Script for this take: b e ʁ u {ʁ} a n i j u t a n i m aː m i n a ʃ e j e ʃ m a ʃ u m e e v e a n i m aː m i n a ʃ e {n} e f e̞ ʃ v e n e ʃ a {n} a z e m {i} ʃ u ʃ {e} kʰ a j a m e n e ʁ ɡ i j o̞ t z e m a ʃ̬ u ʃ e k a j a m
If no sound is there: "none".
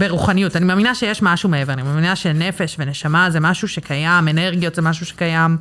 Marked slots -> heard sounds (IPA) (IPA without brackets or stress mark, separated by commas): χ, n, m, a, e